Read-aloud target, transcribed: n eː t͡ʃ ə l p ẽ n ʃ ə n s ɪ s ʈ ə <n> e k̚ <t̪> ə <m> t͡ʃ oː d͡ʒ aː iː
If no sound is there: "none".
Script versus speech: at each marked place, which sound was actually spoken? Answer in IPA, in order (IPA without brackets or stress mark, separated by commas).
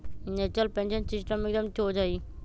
m, d̪, m